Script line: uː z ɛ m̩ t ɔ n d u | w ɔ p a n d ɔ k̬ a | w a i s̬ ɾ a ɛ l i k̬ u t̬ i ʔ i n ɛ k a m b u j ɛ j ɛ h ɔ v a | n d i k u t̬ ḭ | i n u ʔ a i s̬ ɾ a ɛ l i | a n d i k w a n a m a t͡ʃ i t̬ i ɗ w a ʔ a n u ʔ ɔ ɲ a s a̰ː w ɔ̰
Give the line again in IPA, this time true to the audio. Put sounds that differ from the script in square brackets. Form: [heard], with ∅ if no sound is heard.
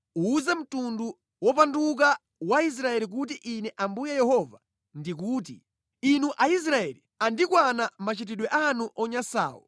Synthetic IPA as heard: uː z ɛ m̩ t [u] n d u | w ɔ p a n d [u] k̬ a | w a i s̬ ɾ a ɛ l i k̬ u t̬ i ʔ i n ɛ [ʔ] a m b u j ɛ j ɛ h ɔ v a | n d i k [uː] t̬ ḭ | i n u ʔ a i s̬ ɾ a ɛ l i | a n d i k w a n a m a t͡ʃ i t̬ i ɗ w [ɛ] ʔ a n u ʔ ɔ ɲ a s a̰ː w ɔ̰